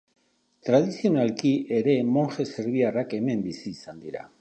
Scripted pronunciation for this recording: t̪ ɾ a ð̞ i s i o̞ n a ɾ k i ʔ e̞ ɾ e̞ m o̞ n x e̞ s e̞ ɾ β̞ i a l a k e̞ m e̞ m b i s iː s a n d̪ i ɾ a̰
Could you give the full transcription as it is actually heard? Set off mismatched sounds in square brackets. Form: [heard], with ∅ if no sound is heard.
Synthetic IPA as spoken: t̪ ɾ a ð̞ i s i o̞ n a [l] k i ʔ e̞ ɾ e̞ m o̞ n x e̞ s e̞ ɾ β̞ i a [r] a k e̞ m e̞ m b i s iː s a n d̪ i ɾ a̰